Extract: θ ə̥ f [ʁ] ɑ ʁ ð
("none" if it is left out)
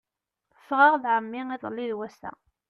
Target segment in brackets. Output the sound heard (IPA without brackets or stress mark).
ʁ